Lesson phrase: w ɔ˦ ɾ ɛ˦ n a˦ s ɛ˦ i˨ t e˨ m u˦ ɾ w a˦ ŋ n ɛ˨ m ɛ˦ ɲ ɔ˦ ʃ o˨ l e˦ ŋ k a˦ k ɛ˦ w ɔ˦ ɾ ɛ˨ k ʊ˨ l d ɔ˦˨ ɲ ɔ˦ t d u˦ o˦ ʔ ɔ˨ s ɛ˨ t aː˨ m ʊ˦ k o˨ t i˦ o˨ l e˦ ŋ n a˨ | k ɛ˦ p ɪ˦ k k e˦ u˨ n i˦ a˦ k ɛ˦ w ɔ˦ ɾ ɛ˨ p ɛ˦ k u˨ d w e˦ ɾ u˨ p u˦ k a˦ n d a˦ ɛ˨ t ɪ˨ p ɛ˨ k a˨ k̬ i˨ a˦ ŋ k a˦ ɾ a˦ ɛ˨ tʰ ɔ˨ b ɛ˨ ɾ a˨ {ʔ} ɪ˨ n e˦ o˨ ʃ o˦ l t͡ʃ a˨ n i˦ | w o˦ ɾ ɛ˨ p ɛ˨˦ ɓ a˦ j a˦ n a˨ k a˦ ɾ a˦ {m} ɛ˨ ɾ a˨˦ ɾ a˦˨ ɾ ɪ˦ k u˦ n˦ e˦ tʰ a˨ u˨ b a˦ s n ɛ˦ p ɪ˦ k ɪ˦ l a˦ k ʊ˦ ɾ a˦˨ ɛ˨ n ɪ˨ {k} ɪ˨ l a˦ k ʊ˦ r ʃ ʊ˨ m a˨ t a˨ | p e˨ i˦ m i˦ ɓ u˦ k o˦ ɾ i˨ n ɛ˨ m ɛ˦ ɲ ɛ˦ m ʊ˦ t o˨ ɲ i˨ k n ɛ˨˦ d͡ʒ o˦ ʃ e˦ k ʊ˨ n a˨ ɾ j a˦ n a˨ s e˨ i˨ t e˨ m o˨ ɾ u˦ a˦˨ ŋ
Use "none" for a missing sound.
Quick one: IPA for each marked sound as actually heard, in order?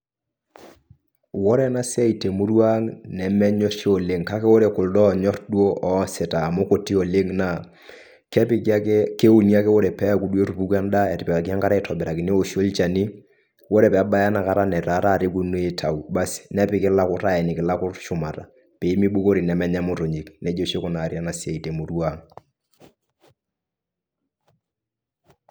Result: k, n, k

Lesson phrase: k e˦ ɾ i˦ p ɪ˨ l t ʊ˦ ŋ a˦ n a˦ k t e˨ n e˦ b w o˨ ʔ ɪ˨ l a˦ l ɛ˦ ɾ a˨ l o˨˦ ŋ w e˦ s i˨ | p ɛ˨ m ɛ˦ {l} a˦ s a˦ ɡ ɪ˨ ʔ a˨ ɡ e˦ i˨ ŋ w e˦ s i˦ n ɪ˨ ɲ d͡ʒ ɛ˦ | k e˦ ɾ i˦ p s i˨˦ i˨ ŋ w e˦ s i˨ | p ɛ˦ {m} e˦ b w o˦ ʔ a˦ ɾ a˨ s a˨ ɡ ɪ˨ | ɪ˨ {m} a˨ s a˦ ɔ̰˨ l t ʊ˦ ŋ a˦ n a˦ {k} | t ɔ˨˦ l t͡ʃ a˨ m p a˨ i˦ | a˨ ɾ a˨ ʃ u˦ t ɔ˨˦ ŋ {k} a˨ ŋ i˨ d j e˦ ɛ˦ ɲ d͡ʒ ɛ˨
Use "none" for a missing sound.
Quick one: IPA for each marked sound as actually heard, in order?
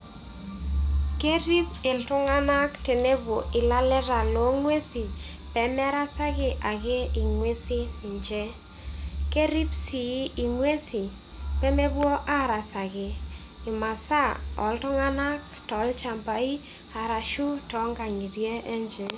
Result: ɾ, m, m, k, ɡ

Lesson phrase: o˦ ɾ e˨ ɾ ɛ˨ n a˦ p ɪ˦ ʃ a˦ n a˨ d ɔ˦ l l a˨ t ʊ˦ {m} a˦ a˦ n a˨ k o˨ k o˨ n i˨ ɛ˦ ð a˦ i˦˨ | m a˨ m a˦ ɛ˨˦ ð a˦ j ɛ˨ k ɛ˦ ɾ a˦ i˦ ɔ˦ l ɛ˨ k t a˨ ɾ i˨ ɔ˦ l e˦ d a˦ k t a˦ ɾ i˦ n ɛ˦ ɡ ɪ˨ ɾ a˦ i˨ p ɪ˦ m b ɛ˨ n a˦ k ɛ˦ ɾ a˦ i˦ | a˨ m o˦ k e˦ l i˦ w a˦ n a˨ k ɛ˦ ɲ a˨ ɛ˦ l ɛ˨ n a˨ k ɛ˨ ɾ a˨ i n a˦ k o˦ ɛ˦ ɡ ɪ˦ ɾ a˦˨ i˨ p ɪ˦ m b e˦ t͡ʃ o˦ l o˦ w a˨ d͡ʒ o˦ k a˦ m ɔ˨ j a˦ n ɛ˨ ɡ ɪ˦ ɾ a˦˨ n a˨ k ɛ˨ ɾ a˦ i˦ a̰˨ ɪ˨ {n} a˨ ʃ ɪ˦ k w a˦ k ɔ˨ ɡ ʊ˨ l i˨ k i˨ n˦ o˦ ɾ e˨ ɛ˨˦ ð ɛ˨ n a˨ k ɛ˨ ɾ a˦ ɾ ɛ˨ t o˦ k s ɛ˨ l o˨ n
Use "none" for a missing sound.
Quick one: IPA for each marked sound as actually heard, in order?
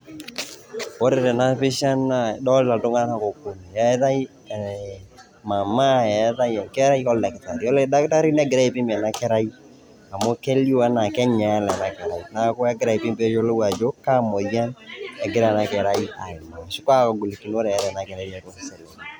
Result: ŋ, m

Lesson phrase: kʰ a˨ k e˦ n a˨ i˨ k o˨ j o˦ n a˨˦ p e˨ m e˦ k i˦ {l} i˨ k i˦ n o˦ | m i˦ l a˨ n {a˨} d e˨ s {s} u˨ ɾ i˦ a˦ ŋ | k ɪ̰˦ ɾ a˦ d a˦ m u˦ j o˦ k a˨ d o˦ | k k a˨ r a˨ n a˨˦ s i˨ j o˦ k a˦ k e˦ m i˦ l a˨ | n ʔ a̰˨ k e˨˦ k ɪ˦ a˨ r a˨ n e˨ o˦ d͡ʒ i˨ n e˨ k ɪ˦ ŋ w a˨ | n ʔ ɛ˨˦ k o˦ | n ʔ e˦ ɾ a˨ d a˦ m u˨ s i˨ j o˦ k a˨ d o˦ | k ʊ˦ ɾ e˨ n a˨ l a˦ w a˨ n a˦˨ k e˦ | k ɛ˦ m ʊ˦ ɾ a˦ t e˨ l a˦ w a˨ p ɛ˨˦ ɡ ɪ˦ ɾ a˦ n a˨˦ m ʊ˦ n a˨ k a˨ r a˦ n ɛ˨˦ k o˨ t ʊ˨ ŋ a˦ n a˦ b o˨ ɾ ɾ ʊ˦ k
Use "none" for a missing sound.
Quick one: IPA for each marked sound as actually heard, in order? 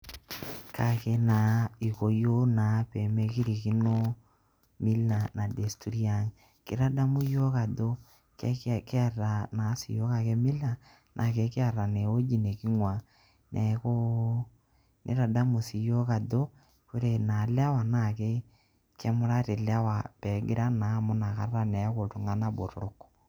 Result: ɾ, a˨, t

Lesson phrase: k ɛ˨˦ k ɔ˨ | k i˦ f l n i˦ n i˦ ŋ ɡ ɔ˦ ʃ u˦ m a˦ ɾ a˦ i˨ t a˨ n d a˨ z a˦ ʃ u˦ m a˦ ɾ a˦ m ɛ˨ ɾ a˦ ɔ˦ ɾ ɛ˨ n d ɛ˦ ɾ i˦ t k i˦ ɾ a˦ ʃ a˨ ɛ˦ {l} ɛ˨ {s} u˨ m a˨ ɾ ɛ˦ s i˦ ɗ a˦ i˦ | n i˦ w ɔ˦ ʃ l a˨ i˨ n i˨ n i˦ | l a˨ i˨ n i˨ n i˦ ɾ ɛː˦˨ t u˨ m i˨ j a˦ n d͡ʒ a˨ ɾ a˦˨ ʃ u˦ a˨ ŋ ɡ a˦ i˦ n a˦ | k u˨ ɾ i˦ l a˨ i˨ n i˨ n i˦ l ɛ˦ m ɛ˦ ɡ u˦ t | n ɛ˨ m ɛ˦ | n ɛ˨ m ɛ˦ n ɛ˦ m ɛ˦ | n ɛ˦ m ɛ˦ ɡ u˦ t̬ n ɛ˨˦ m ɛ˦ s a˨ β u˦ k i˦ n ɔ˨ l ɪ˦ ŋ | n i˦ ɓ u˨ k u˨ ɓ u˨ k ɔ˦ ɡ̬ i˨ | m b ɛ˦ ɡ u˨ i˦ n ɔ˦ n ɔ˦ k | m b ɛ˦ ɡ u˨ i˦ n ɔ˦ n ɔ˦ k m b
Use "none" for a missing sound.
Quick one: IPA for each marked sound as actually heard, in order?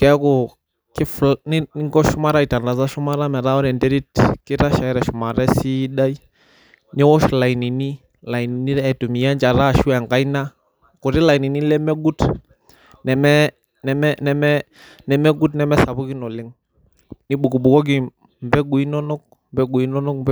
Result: ɾ, ʃ

